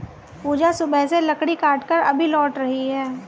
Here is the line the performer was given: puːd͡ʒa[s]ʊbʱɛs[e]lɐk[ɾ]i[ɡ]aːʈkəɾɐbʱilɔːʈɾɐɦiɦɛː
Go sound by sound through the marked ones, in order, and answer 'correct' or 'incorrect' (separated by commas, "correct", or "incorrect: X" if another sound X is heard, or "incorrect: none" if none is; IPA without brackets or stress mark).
correct, correct, incorrect: ɽ, incorrect: k